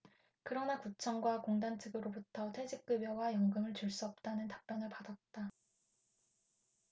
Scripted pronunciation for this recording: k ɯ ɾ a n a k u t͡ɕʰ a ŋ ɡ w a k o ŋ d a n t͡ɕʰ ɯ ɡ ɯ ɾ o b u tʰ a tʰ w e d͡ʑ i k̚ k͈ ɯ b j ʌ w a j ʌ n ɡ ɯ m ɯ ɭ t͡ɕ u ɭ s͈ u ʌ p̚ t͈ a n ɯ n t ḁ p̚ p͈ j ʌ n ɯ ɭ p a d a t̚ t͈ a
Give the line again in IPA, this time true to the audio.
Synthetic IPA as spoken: k ɯ ɾ ʌ n a k u t͡ɕʰ ʌ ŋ ɡ w a k o ŋ d a n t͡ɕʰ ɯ ɡ ɯ ɾ o b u tʰ ʌ tʰ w e d͡ʑ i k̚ k͈ ɯ b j ʌ w a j ʌ ŋ ɡ ɯ m ɯ ɭ t͡ɕ u ɭ s͈ u ʌ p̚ t͈ a n ɯ n t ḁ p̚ p͈ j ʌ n ɯ ɭ p a d a t̚ t͈ a